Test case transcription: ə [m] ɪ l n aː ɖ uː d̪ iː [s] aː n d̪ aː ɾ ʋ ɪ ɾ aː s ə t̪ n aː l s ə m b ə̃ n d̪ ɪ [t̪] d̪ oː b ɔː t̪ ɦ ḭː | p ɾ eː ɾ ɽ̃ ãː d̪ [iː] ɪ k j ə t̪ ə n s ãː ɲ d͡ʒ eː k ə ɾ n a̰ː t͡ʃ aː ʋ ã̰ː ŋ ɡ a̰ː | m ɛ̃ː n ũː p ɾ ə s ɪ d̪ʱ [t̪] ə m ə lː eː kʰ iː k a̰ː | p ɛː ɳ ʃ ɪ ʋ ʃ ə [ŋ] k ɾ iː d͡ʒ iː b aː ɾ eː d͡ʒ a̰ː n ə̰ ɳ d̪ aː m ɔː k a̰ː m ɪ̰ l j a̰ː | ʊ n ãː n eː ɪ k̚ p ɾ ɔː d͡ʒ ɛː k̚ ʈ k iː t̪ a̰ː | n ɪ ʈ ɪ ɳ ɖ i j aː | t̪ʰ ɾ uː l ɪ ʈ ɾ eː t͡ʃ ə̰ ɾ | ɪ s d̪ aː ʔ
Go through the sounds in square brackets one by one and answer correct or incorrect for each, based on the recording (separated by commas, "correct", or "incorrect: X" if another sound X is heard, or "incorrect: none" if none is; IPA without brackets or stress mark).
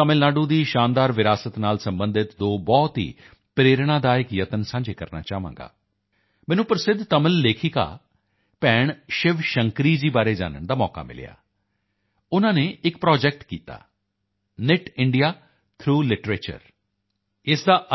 correct, incorrect: ʃ, correct, incorrect: aː, correct, correct